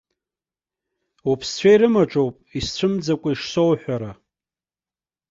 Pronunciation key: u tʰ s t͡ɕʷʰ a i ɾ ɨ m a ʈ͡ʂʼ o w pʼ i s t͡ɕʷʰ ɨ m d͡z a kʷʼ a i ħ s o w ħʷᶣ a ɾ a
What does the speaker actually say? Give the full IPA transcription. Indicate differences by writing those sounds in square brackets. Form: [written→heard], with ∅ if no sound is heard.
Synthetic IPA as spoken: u [tʰ→pʰ] s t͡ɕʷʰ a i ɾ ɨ m a ʈ͡ʂʼ o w pʼ i s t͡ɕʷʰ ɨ m d͡z a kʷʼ a i [ħ→ʂ] s o w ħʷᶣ a ɾ a